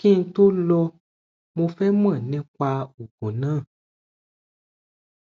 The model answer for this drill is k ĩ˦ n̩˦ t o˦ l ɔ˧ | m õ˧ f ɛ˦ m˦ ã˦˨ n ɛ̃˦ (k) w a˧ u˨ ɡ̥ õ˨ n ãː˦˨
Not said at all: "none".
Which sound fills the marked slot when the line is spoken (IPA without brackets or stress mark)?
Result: k